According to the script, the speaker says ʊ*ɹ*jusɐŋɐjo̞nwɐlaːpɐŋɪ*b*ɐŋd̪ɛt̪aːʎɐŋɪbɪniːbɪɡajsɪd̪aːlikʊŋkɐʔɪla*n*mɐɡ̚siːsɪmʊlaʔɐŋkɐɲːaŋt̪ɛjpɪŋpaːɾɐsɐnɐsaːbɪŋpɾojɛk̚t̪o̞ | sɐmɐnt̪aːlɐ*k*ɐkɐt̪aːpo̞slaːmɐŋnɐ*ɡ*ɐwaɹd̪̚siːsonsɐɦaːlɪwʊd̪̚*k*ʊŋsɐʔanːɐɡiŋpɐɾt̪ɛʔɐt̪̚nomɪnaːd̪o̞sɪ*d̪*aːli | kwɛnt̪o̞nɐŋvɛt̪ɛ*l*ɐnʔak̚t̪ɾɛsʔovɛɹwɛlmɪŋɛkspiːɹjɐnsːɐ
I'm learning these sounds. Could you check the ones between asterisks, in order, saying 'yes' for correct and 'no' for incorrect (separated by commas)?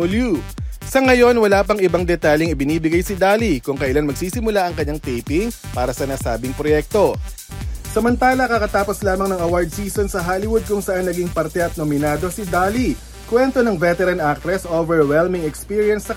no, yes, yes, yes, no, yes, yes, no